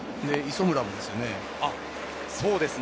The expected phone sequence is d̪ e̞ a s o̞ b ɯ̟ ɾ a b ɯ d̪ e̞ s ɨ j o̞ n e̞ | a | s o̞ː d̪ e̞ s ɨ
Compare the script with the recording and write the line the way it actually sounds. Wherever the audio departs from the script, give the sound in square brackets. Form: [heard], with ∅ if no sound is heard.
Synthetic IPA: d̪ e̞ [i] s o̞ [m] ɯ̟ ɾ a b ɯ d̪ e̞ s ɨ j o̞ n e̞ | a | s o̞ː d̪ e̞ s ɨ